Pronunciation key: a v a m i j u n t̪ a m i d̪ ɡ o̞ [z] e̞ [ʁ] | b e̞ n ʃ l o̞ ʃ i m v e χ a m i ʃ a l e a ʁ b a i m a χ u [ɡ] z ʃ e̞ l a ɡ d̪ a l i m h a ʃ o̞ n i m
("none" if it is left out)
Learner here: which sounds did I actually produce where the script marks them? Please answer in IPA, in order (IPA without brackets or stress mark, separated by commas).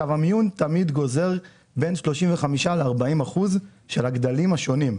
z, ʁ, none